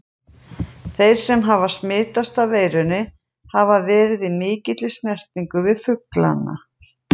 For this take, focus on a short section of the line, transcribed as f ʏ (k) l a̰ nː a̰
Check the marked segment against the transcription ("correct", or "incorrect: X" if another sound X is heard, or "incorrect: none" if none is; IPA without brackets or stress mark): correct